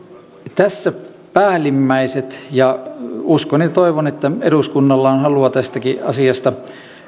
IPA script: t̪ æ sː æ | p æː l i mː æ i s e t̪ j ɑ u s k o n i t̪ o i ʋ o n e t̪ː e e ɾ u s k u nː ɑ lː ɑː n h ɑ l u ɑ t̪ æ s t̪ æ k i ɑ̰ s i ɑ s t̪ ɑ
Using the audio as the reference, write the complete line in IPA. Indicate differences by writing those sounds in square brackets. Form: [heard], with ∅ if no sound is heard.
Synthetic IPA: t̪ æ sː æ | p æː l i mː æ i s e t̪ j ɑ u s k o n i t̪ o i ʋ o n e t̪ː [æ] e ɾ u s k u nː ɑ lː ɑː n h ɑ l u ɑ t̪ æ s t̪ æ k i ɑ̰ s i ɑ s t̪ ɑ

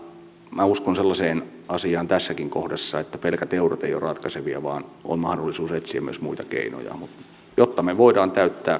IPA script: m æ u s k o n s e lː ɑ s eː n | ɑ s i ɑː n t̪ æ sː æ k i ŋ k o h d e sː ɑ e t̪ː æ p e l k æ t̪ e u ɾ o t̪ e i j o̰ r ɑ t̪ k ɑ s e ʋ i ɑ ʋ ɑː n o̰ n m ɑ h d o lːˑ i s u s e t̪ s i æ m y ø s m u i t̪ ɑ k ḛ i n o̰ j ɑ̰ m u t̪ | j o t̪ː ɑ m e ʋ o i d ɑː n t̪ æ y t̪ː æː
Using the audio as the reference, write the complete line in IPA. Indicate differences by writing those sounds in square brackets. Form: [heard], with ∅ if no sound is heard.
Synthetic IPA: m æ u s k o n s e lː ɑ s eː n | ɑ s i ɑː n t̪ æ sː æ k i ŋ k o h d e sː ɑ e t̪ː æ p e l k æ t̪ e u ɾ o t̪ e i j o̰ r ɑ t̪ k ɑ s e ʋ i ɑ ʋ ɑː n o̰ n m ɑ h d o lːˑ i s [uː] s e t̪ s i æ m y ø s m u i t̪ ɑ k ḛ i n o̰ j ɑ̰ m u t̪ | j o t̪ː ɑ m e ʋ o i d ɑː n t̪ æ y t̪ː æː

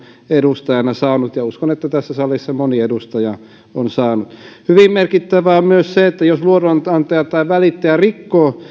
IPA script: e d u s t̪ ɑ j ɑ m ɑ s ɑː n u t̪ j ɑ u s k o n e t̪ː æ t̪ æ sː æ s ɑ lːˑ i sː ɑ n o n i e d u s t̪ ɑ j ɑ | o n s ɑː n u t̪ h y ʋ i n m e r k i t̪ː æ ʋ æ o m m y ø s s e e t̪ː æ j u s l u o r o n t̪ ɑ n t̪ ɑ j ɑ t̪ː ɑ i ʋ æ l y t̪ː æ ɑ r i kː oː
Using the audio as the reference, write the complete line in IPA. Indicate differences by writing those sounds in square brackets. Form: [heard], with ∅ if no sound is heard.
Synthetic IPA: e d u s t̪ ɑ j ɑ [n] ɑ s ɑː n u t̪ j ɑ u s k o n e t̪ː æ t̪ æ sː æ s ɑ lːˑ i sː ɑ [m] o n i e d u s t̪ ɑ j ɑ | o n s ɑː n u t̪ h y ʋ i [m] m e r k i t̪ː æ ʋ æ o m m y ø s s e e t̪ː æ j [o] s l u o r o n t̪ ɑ n t̪ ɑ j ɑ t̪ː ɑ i ʋ æ l [i] t̪ː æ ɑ r i kː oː

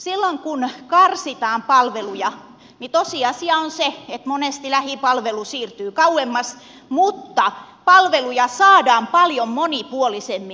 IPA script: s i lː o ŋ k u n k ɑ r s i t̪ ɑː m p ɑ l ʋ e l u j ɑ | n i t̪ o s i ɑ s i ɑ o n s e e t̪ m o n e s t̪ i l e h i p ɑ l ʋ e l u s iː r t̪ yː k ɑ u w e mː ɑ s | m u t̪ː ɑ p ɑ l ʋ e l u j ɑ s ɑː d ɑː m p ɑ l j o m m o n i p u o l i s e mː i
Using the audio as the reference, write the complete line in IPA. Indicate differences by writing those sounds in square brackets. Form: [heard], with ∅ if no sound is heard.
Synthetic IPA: s i lː o ŋ k u n k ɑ r s i t̪ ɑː m p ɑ l ʋ e l u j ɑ | n i t̪ o s i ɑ s i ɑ o n s e e t̪ m o n e s t̪ i l [æ] h i p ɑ l ʋ e l u s iː r t̪ yː k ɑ u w e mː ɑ s | m u t̪ː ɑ p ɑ l ʋ e l u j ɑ s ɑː d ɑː m p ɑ l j o m m o n i p u o l i s e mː i

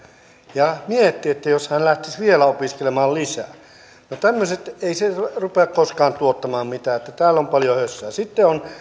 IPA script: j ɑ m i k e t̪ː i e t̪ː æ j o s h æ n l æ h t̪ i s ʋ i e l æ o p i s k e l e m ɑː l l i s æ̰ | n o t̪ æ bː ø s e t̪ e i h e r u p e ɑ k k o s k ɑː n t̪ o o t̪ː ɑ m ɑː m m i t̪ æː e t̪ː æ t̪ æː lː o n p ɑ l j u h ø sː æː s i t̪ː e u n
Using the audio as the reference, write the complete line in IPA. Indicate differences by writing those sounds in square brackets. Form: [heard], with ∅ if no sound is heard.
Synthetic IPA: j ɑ m i [∅] e t̪ː i e t̪ː æ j o s h æ n l æ h t̪ i s ʋ i e l æ o p i s k e l e m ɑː l l i s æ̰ | n o t̪ æ [mː] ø s e t̪ e i [s] e r u p e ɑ k k o s k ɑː n t̪ [u] o t̪ː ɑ m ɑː m m i t̪ æː e t̪ː æ t̪ æː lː o [m] p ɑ l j [o] h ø sː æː s i t̪ː e [o] n

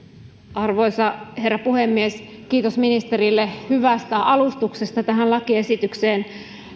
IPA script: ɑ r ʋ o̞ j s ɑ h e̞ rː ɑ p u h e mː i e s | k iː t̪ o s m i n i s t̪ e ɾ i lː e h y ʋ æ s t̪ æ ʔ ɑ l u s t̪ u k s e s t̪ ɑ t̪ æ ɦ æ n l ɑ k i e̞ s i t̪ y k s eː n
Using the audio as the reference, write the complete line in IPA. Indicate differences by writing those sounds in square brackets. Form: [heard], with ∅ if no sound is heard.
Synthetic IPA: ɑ r ʋ o̞ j s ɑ h e̞ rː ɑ p u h e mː i e s | k iː t̪ o s m i n i s t̪ e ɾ i lː e h y ʋ æ s t̪ æ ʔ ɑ l u s t̪ u k s e s t̪ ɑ t̪ æ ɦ æ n l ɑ k i e̞ s i t̪ y k s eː n

